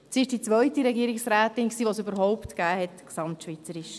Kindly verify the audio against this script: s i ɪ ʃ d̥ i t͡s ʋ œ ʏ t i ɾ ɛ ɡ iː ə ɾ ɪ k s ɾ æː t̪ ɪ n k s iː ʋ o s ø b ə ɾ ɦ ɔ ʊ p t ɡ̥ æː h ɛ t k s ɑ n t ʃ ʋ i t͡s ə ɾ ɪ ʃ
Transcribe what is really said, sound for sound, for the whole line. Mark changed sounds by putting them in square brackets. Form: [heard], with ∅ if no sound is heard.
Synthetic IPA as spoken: s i ɪ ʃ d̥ i t͡s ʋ œ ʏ t i ɾ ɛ ɡ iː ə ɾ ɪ k s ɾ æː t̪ ɪ n k s iː ʋ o s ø b ə ɾ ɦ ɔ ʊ p t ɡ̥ æː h ɛ t k s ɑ [m] t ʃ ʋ i t͡s ə ɾ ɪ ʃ